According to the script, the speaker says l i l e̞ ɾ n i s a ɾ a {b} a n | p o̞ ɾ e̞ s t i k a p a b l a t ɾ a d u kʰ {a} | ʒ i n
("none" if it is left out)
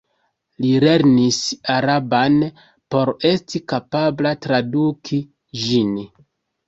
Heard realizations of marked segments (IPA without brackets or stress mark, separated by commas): b, i